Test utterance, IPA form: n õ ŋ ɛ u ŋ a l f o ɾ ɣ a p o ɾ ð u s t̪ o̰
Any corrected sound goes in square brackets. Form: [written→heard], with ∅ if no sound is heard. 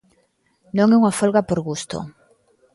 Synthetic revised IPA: n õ ŋ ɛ u ŋ a [l→∅] f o [ɾ→l] ɣ a p o ɾ [ð→ɣ] u s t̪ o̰